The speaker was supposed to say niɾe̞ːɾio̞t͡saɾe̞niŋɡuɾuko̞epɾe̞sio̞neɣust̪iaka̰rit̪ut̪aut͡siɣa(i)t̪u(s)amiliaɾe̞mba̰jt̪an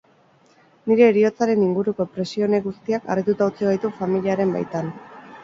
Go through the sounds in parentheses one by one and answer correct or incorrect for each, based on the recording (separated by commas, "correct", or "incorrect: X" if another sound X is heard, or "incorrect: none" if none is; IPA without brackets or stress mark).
incorrect: j, incorrect: f